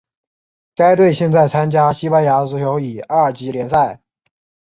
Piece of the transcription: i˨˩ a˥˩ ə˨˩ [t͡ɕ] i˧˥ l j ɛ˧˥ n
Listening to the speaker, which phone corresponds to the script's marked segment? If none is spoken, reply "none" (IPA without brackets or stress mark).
t͡ɕ